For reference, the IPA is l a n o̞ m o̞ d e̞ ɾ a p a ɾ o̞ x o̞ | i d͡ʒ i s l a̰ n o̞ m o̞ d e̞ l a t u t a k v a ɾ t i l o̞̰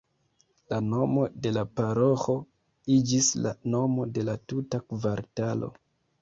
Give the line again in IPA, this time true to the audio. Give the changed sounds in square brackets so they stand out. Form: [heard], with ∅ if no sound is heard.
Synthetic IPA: l a n o̞ m o̞ d e̞ [l] a p a ɾ o̞ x o̞ | i d͡ʒ i s l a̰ n o̞ m o̞ d e̞ l a t u t a k v a ɾ t [a] l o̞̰